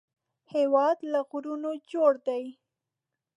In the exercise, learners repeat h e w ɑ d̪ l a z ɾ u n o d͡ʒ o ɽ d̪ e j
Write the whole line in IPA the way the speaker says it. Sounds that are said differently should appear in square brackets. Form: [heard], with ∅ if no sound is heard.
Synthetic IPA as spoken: h e w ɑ d̪ l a [ɣ] ɾ u n o d͡ʒ o ɽ d̪ [a] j